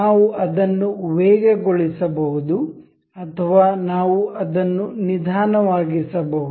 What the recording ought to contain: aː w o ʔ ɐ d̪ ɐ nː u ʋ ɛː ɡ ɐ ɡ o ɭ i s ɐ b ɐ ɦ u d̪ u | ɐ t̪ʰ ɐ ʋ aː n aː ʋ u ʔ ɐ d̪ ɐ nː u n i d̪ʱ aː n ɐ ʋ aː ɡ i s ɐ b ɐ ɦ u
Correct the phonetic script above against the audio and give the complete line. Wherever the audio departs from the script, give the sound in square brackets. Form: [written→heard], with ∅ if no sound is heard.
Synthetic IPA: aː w [o→u] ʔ ɐ d̪ ɐ nː u ʋ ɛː ɡ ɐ ɡ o ɭ i s ɐ b ɐ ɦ u d̪ u | ɐ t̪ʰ ɐ ʋ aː n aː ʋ u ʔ ɐ d̪ ɐ nː u n i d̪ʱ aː n ɐ ʋ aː ɡ i s ɐ b ɐ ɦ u

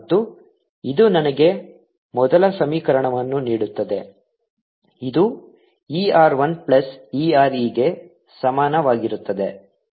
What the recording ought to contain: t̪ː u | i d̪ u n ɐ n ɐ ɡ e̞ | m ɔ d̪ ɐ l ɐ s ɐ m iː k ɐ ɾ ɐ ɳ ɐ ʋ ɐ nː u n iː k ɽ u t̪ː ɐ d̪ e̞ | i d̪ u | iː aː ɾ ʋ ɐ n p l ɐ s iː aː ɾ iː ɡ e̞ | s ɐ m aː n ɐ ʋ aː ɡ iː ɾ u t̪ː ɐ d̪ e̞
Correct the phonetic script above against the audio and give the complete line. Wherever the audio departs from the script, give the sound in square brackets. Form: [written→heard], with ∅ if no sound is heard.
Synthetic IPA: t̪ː u | i d̪ u n ɐ n ɐ ɡ e̞ | m ɔ d̪ ɐ l ɐ s ɐ m iː k ɐ ɾ ɐ ɳ ɐ ʋ ɐ nː u n iː [k→∅] ɽ u t̪ː ɐ d̪ e̞ | i d̪ u | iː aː ɾ ʋ ɐ n p l ɐ s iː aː ɾ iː ɡ e̞ | s ɐ m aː n ɐ ʋ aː ɡ [iː→i] ɾ u t̪ː ɐ d̪ e̞

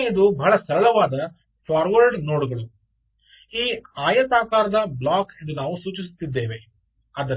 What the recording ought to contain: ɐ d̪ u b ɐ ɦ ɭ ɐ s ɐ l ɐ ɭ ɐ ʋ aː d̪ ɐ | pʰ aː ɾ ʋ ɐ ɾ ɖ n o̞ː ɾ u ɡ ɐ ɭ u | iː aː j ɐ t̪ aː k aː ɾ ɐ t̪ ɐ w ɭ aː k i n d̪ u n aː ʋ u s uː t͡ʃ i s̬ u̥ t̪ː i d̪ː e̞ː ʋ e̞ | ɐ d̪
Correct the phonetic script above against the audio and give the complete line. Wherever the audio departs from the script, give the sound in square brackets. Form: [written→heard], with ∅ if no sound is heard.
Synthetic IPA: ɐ d̪ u b ɐ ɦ ɭ ɐ s ɐ [l→ɾ] ɐ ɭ ɐ ʋ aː d̪ ɐ | pʰ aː ɾ ʋ ɐ ɾ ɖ n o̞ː [ɾ→ɽ] u ɡ ɐ ɭ u | iː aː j ɐ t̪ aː k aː ɾ ɐ [t̪→d̪] ɐ [w→b] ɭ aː k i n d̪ u n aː ʋ u s uː t͡ʃ i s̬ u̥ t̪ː i d̪ː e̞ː ʋ e̞ | ɐ d̪

